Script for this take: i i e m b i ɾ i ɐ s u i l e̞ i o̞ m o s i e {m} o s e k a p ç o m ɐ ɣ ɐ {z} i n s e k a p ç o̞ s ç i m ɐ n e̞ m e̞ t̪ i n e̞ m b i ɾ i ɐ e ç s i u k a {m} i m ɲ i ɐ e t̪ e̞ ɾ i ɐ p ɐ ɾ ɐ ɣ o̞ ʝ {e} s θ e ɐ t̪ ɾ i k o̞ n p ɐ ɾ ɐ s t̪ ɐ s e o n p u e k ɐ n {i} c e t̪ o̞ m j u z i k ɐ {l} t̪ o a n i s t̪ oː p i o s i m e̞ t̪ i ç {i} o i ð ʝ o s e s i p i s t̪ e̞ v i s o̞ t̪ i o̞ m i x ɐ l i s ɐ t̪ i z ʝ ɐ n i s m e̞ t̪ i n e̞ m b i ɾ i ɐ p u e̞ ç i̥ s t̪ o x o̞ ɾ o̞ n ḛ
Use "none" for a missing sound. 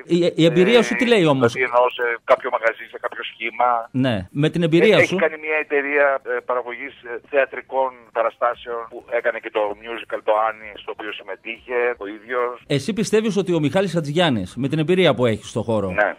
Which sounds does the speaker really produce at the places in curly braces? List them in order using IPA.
n, z, n, i, e, l, e

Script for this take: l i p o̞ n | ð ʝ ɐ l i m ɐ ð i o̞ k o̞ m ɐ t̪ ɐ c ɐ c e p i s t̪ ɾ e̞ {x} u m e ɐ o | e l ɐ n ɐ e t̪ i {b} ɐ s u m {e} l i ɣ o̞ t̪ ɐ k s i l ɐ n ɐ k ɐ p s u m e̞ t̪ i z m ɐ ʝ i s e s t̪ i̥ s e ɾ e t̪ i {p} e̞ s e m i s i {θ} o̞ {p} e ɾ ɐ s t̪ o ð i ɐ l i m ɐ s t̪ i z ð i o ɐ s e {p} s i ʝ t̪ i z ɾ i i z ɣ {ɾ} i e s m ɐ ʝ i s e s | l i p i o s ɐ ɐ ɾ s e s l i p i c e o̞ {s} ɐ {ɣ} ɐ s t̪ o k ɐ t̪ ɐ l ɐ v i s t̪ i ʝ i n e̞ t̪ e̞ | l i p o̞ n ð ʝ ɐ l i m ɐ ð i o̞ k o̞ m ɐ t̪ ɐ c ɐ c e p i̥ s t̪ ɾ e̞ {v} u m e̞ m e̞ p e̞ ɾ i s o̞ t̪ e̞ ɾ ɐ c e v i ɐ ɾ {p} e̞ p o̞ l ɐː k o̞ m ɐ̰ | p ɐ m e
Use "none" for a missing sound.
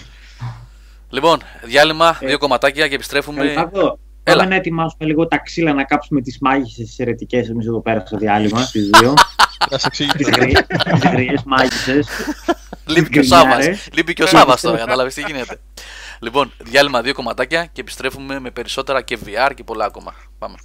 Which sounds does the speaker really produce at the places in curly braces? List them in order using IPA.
f, m, e, c, ð, p, k, ɾ, s, v, f, c

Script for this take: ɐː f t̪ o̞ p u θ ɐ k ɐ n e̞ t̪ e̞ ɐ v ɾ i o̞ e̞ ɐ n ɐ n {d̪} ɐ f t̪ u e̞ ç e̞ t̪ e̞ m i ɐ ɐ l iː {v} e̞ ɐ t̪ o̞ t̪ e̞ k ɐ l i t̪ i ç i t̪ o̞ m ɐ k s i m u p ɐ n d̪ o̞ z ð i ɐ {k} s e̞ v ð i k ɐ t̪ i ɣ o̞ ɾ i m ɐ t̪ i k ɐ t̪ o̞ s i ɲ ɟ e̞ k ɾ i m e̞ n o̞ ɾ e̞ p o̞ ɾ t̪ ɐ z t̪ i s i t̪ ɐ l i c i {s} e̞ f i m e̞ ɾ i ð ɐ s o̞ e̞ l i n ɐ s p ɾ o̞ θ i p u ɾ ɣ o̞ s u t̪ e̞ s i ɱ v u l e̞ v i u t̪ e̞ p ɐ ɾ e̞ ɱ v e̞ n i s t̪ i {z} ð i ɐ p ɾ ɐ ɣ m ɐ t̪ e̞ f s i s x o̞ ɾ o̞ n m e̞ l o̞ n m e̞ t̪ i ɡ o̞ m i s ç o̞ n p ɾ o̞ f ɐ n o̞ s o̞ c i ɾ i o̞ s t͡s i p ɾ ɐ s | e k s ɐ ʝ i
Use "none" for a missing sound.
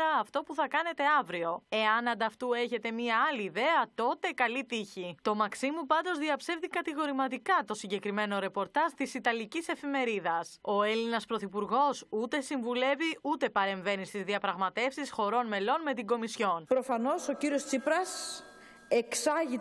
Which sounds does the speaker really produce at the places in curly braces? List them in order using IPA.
d̪, ð, p, s, z

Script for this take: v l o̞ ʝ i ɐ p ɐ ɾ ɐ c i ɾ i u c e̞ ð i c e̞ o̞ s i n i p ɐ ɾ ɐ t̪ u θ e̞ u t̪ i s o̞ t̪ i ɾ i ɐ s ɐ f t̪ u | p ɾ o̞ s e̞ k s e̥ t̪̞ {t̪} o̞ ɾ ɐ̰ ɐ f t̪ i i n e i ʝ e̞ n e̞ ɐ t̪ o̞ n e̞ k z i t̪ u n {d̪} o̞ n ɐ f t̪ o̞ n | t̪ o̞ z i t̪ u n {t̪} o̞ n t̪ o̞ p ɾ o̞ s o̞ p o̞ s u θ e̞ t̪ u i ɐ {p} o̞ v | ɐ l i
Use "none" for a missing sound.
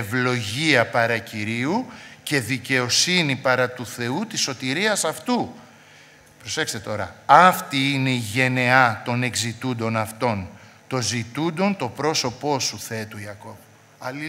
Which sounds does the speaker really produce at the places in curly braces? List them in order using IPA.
t̪, d̪, d̪, k

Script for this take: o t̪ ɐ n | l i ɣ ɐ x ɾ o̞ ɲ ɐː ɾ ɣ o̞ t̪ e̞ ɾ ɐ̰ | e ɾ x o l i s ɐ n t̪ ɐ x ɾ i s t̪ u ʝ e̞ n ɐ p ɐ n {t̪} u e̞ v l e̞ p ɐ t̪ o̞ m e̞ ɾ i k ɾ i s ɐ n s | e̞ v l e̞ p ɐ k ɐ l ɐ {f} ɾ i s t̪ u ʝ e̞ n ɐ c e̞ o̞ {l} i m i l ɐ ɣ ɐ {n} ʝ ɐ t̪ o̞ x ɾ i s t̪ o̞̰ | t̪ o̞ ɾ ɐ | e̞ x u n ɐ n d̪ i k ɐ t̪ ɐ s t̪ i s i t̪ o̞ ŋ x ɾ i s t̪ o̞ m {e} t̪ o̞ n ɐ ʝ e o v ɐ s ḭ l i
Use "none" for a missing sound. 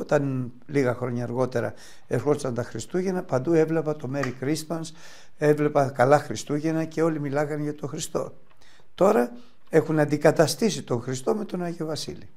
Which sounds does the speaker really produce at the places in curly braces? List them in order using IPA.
d̪, x, l, n, e

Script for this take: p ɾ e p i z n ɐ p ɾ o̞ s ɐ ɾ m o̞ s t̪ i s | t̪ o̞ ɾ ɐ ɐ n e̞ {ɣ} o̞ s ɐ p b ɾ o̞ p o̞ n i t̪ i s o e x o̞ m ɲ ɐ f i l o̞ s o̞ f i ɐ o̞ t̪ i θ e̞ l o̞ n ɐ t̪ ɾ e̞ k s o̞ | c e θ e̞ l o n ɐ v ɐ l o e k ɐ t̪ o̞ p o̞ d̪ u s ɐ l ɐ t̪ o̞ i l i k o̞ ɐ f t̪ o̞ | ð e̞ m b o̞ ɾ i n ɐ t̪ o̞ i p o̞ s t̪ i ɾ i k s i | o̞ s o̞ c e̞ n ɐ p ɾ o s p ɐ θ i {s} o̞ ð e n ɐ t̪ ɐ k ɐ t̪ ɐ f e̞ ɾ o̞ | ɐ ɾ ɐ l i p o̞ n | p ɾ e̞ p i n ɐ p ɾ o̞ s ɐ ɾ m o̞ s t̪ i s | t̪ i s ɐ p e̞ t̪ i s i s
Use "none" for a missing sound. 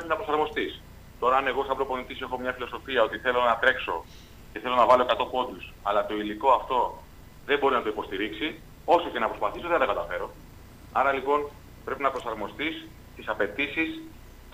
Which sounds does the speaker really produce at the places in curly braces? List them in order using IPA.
ɣ, s

